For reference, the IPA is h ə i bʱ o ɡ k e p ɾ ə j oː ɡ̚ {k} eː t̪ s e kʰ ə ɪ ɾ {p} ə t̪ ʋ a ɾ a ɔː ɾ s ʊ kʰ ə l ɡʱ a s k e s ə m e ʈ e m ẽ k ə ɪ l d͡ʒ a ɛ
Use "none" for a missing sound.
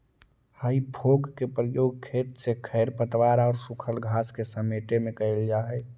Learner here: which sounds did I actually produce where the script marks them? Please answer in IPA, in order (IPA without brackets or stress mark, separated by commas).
kʰ, p